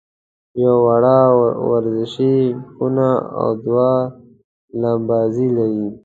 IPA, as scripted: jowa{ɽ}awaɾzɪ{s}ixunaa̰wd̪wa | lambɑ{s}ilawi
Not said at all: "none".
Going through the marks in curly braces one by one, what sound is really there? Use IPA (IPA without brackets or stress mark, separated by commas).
ɽ, ʃ, z